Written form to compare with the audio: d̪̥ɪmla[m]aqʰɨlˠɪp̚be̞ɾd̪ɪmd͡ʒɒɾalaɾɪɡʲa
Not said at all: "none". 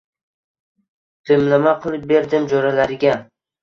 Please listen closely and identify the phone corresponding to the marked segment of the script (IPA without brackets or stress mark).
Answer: m